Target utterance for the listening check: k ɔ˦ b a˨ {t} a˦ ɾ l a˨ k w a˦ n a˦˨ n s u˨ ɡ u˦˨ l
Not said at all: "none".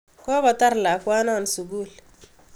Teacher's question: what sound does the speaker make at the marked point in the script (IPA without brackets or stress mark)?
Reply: t